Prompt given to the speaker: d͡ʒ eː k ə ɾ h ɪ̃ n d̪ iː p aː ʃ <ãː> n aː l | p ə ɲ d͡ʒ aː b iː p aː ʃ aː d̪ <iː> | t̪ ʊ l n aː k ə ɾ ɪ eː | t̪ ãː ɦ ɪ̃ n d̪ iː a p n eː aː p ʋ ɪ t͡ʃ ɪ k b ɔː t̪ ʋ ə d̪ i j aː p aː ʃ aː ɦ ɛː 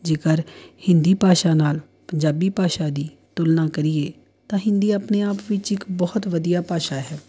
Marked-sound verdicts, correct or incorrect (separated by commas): incorrect, correct